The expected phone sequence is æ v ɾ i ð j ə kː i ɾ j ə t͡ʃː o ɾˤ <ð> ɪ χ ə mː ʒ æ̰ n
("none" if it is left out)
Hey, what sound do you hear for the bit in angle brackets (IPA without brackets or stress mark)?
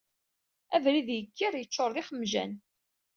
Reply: ð